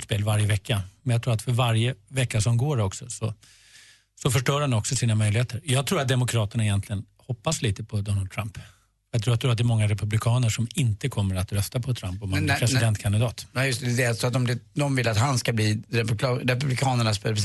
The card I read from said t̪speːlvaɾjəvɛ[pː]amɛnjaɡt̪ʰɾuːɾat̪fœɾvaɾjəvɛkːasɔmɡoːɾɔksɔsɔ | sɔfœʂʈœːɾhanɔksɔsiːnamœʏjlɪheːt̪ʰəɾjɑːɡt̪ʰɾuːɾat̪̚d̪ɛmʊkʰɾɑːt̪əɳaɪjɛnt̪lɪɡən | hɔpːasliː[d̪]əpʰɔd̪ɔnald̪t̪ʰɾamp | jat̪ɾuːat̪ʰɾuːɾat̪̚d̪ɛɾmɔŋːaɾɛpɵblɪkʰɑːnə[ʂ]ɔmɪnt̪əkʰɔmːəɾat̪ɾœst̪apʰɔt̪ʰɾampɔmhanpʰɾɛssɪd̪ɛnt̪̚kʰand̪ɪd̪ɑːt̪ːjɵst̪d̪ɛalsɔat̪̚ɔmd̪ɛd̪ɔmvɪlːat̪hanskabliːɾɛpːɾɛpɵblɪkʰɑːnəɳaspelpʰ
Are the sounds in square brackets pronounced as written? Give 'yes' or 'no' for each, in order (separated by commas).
no, no, yes